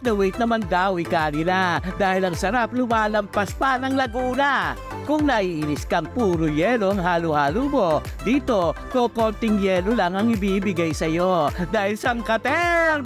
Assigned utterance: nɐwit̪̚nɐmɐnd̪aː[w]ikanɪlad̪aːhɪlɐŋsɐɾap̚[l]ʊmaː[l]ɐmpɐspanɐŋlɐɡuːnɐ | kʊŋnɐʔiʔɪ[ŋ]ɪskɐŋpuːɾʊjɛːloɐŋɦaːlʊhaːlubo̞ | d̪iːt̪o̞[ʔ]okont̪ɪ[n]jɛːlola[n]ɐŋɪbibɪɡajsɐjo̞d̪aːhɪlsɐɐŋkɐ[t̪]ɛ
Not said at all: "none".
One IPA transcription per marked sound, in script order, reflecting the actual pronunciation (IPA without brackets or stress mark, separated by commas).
w, l, l, n, k, ŋ, ŋ, t̪